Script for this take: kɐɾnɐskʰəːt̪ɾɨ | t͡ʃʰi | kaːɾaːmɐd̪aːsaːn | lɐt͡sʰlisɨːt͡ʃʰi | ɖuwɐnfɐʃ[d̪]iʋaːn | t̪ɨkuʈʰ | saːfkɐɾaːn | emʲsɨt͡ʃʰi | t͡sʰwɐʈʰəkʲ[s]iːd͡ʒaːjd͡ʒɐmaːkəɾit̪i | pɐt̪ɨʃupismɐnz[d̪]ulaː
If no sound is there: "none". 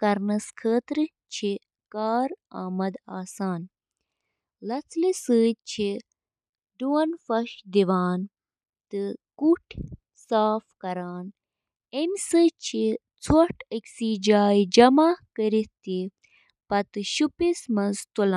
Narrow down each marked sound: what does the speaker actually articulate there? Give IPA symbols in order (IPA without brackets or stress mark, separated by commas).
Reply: d̪, s, t̪